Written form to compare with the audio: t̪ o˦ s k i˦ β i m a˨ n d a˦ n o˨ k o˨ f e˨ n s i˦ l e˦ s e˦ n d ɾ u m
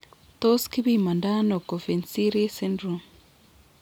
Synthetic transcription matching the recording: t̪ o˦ s k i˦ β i m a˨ n d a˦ n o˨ k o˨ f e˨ n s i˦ ɾ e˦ s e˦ n d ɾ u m